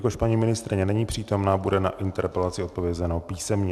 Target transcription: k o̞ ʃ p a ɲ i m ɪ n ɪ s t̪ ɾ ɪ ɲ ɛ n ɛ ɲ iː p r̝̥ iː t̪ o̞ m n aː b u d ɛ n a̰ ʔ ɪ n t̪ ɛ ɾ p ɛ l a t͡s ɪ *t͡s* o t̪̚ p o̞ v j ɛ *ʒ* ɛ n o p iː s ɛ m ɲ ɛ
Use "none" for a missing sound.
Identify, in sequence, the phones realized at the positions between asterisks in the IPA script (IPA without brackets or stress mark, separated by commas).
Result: none, z